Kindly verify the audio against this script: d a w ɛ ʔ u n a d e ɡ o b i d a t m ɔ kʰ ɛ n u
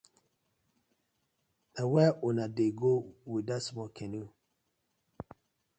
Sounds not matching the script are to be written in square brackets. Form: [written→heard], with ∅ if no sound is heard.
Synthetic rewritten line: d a w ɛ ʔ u n a d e ɡ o [b→w] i d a [t→s] m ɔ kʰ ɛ n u